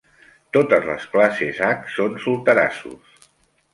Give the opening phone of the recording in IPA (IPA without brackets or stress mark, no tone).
t̪